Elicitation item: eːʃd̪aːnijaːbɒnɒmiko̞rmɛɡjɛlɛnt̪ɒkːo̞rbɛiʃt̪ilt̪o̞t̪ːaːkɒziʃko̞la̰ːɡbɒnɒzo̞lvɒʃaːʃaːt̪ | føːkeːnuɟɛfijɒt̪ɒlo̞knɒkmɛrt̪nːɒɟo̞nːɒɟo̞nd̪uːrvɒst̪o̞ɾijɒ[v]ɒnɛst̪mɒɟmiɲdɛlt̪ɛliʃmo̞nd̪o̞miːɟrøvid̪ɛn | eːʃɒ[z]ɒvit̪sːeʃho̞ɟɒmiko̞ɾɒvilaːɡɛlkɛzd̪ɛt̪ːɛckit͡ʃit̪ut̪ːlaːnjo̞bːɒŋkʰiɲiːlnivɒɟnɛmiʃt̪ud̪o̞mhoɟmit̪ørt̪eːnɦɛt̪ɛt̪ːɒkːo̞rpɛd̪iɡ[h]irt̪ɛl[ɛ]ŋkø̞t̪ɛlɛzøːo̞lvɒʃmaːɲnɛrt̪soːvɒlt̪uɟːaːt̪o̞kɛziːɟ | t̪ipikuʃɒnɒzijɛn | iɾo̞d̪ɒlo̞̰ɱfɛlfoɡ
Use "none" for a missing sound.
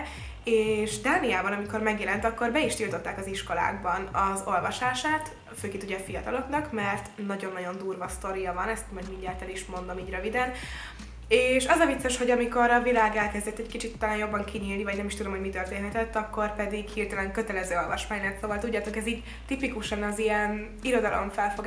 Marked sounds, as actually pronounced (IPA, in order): v, z, h, ɛ

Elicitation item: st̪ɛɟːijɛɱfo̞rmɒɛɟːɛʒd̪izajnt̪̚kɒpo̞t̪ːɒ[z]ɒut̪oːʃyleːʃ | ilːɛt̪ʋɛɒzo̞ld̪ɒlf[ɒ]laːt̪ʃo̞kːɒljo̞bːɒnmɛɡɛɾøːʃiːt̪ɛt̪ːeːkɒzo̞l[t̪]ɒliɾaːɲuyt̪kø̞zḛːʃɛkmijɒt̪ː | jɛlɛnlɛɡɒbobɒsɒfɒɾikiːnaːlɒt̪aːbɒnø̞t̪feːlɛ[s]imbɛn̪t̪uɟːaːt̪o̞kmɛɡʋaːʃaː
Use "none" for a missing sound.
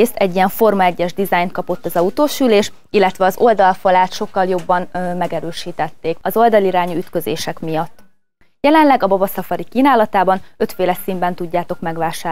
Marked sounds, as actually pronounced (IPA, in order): z, ɒ, d̪, s

